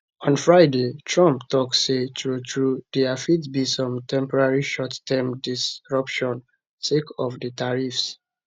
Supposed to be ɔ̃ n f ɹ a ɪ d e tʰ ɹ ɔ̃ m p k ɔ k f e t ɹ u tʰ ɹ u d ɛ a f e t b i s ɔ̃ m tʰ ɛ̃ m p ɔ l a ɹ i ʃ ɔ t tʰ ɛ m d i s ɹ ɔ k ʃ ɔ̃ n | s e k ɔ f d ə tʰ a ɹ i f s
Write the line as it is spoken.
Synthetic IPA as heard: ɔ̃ n f ɹ a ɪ d e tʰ ɹ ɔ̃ m p t ɔ k s e t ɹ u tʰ ɹ u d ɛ a f i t b i s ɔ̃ m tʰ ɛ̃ m p ɔ ɹ a ɹ i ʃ ɔ t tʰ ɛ m d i s ɹ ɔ p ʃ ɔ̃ n | s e k ɔ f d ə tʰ a ɹ i f s